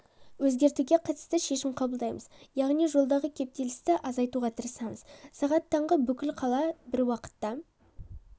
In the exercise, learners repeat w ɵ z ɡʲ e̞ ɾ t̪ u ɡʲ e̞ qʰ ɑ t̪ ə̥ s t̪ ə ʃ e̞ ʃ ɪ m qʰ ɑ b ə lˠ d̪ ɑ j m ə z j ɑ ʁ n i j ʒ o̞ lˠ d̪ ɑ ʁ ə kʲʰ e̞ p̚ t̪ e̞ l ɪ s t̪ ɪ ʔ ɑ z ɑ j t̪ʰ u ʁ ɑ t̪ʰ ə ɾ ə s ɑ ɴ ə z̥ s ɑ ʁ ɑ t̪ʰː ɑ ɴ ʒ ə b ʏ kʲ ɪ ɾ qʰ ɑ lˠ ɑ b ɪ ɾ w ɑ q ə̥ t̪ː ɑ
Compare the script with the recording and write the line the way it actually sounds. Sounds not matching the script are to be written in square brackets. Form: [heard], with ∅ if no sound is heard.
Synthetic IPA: w ɵ z ɡʲ e̞ ɾ t̪ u ɡʲ e̞ qʰ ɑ t̪ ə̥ s t̪ ə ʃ e̞ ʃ ɪ m qʰ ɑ b ə lˠ d̪ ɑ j m ə z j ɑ ʁ n i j ʒ o̞ lˠ d̪ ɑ ʁ ə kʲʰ e̞ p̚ t̪ e̞ l ɪ s t̪ ɪ ʔ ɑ z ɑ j [t̪] u ʁ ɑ t̪ʰ ə ɾ ə s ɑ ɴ ə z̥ s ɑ ʁ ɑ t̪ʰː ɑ ɴ [ʁ] ə b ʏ kʲ ɪ [l] qʰ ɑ lˠ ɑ b ɪ ɾ w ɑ q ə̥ t̪ː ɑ